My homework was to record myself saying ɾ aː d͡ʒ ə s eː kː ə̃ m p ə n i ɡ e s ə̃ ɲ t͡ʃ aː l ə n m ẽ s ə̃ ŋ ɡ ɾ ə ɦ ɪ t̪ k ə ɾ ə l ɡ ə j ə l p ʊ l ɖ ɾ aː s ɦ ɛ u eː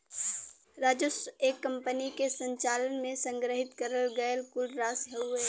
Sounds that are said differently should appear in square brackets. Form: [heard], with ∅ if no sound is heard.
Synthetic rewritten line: ɾ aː d͡ʒ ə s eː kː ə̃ m p ə n i [k] e s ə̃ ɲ t͡ʃ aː l ə n m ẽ s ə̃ ŋ ɡ ɾ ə ɦ ɪ t̪ k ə ɾ ə l ɡ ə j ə l [k] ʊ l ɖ ɾ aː s ɦ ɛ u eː